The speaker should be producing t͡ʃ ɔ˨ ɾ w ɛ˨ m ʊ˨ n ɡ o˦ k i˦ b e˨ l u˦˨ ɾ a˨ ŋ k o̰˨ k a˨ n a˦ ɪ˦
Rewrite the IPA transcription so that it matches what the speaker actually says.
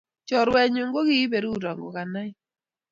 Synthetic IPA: t͡ʃ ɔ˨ ɾ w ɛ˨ ɲ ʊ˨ ŋ ɡ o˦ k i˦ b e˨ ɾ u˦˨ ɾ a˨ ŋ ɡ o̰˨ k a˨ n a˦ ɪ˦